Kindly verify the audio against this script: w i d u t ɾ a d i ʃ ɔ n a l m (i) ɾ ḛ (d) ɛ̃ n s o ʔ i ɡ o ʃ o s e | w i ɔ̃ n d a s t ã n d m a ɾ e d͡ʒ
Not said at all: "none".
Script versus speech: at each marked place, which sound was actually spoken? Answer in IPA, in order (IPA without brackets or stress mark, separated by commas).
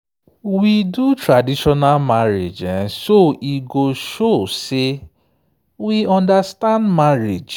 a, d͡ʒ